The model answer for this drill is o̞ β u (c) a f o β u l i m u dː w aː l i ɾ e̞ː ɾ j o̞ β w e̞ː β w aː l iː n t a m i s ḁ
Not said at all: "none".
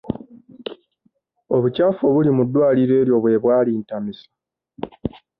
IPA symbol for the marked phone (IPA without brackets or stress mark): c